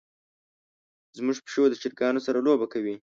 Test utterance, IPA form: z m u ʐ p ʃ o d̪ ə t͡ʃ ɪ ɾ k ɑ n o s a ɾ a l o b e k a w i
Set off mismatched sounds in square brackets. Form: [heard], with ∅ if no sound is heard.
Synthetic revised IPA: z m u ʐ p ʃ o d̪ ə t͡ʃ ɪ ɾ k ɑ n o s a ɾ a l o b [a] k a w i